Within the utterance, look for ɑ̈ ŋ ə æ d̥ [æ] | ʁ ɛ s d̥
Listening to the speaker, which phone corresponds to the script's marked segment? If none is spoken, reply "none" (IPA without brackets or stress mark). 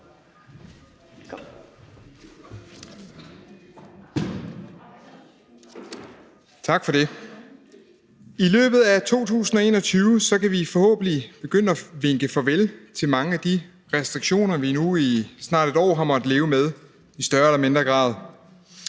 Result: i